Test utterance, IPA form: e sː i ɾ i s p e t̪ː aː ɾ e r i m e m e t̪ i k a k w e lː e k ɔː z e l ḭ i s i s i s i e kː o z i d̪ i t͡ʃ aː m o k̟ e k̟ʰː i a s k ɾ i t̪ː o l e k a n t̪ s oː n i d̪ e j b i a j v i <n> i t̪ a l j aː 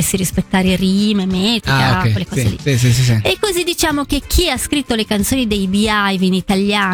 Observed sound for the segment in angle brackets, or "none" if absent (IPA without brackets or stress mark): n